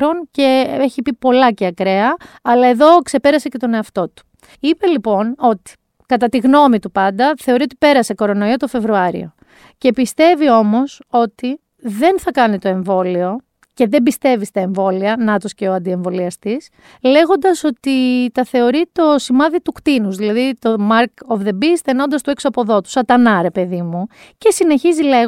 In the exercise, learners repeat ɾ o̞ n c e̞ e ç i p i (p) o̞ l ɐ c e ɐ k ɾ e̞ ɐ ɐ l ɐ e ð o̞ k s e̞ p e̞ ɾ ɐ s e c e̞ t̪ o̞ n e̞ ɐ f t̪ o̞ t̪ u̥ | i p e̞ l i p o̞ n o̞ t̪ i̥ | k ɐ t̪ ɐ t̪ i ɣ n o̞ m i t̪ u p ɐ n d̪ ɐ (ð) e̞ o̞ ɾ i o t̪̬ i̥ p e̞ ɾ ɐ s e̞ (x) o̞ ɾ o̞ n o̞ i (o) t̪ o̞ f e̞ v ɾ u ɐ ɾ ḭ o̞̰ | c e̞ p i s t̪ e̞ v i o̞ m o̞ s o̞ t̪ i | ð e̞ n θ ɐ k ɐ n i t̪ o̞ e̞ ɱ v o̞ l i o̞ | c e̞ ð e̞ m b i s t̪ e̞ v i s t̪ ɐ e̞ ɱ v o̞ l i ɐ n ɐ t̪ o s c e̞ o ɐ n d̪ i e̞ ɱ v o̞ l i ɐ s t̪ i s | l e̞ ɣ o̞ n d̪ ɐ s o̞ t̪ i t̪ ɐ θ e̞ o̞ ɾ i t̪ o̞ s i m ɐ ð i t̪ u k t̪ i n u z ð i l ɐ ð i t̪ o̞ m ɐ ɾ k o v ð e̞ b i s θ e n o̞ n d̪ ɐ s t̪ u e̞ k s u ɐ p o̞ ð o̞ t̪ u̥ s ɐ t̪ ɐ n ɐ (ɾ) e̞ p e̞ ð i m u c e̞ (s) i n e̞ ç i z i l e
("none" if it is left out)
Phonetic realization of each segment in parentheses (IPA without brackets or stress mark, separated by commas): p, θ, k, o, ɾ, s